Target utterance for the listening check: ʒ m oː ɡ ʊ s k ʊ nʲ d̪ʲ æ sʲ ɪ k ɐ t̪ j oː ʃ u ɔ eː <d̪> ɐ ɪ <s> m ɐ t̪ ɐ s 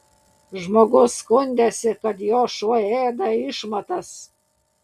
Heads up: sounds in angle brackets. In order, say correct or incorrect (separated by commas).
correct, incorrect